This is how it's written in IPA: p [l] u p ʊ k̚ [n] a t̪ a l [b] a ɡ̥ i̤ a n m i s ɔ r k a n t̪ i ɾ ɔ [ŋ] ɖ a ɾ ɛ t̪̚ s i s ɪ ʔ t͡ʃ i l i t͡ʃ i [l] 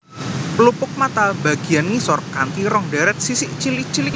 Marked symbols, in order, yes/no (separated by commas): yes, no, yes, yes, yes